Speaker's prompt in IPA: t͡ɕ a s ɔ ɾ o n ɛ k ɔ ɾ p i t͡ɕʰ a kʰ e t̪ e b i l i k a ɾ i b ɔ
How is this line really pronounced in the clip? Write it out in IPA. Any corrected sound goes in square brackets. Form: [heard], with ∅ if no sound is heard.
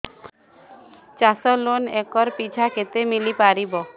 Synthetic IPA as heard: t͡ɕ a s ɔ [l] o n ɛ k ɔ ɾ p i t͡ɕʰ a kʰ e t̪ e [m] i l i [p] a ɾ i b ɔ